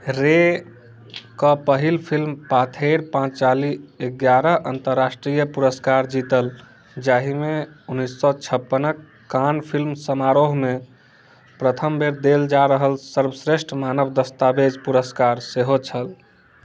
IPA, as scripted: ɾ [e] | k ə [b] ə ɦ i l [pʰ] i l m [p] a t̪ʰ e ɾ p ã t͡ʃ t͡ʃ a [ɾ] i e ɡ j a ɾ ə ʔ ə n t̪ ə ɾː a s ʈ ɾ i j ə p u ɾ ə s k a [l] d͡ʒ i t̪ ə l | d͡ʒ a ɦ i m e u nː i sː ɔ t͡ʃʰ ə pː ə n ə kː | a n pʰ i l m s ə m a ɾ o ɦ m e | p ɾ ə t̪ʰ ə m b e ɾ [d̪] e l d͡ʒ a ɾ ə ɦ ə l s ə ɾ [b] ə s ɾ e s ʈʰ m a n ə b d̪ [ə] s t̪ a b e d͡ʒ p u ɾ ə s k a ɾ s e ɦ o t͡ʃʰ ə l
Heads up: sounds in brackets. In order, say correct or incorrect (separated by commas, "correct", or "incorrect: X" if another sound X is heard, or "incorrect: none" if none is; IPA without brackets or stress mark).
correct, incorrect: p, correct, correct, incorrect: l, incorrect: ɾ, correct, correct, correct